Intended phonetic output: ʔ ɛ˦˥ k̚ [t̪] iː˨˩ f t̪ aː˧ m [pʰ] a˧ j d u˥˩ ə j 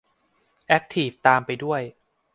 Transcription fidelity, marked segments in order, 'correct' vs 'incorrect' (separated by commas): incorrect, incorrect